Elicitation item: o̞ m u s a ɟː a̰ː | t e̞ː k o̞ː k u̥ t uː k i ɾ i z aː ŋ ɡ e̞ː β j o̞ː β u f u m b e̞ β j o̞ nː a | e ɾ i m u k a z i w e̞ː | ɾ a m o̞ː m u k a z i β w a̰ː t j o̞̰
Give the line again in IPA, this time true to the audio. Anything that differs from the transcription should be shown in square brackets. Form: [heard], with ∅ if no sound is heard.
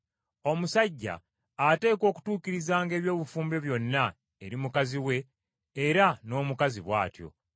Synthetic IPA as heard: o̞ m u s a ɟː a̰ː | t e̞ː k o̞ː k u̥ t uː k i ɾ i z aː ŋ ɡ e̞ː β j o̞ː β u f [uː] m b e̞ β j o̞ nː a | e ɾ i m u k a z i w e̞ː | ɾ a [n] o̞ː m u k a z i β w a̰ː t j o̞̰